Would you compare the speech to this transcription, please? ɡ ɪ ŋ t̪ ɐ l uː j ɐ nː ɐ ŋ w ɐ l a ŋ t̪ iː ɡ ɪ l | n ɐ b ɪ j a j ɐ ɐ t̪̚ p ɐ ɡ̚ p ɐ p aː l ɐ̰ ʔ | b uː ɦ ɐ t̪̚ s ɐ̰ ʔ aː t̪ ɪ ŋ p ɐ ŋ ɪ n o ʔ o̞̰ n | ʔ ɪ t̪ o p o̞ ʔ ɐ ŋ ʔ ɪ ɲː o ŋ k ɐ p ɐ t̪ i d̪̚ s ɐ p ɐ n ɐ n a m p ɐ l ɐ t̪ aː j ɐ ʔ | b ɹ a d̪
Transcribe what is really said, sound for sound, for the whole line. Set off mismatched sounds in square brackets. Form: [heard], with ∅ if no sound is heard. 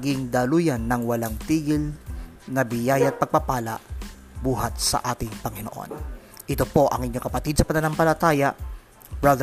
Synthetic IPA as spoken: ɡ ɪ ŋ [d̪] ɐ l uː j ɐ nː ɐ ŋ w ɐ l a ŋ t̪ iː ɡ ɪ l | n ɐ b ɪ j a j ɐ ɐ t̪̚ p ɐ ɡ̚ p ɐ p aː l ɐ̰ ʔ | b uː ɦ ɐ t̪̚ s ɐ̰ ʔ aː t̪ ɪ ŋ p ɐ ŋ ɪ n o ʔ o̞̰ n | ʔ ɪ t̪ o p o̞ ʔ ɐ ŋ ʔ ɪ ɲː o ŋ k ɐ p ɐ t̪ i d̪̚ s ɐ p ɐ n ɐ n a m p ɐ l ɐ t̪ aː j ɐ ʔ | b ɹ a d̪